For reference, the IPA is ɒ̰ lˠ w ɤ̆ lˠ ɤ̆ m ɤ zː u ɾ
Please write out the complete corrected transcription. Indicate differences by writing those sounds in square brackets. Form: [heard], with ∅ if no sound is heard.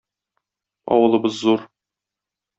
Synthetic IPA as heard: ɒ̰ [∅] w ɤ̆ lˠ ɤ̆ [b] ɤ zː u ɾ